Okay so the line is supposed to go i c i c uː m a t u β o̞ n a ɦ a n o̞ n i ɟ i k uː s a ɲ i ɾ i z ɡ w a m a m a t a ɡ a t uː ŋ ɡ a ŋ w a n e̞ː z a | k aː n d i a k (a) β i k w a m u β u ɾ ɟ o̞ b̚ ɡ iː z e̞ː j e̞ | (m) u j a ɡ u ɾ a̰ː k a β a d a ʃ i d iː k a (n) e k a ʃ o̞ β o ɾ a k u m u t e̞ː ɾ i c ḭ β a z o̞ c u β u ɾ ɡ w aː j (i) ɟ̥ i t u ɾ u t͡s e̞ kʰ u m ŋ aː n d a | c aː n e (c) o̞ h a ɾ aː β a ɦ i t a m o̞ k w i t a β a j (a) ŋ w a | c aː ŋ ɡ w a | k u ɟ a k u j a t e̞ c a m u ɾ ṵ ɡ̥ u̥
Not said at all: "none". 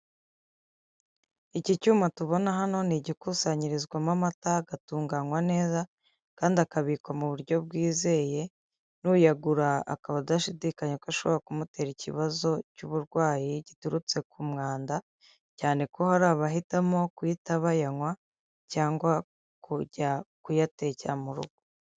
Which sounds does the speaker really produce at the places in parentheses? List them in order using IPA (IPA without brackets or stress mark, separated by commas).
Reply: a, n, ɲ, i, k, a